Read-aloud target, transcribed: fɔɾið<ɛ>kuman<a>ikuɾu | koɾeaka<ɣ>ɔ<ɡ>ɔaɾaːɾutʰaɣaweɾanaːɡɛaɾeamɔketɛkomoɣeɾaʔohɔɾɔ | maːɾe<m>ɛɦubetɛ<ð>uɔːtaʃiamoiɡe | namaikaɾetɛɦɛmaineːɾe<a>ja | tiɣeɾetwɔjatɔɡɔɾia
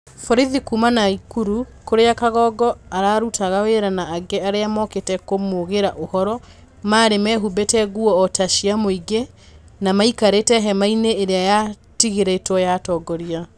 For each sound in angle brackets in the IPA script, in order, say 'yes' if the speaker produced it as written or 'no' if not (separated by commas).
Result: no, yes, yes, yes, yes, no, yes